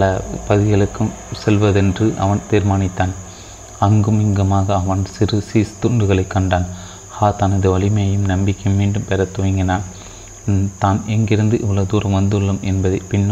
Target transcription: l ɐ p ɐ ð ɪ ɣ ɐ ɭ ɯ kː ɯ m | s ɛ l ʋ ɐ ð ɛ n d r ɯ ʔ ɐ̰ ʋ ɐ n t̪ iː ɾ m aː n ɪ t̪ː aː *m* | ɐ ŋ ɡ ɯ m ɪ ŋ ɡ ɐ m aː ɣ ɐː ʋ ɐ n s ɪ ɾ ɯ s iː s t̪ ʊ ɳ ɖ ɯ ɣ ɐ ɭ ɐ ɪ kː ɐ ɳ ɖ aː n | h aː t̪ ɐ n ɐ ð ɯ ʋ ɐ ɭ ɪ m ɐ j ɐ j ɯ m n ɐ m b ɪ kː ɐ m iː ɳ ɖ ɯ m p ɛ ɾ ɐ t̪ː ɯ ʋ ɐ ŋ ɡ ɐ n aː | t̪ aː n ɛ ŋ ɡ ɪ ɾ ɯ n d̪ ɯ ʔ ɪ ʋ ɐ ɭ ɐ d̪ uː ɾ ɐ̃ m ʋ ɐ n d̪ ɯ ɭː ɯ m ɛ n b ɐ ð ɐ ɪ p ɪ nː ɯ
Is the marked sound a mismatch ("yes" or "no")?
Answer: yes